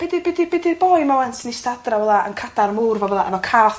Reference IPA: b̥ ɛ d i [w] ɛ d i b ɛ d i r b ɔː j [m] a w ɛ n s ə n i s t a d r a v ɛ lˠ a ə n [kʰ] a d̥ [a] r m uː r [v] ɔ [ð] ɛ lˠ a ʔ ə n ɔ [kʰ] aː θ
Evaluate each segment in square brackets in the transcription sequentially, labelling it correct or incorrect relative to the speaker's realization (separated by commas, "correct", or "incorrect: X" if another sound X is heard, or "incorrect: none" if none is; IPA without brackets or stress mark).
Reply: incorrect: b, correct, correct, correct, correct, incorrect: v, correct